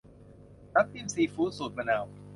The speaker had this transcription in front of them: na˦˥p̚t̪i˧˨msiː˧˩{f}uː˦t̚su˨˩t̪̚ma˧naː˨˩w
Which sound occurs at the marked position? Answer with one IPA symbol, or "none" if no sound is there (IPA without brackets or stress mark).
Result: f